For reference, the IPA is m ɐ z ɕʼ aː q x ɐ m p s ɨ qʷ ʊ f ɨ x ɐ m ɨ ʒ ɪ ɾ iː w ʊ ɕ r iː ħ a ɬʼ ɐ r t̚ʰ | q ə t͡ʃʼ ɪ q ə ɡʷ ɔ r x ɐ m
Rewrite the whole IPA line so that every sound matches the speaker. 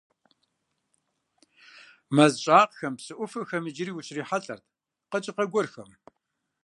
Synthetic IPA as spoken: m ɐ z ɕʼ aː q x ɐ m p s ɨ ʔʷ ʊ f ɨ x ɐ m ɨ d͡ʒ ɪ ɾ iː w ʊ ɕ r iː ħ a ɬʼ ɐ r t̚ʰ | q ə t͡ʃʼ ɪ q ɐ ɡʷ ɔ r x ɐ m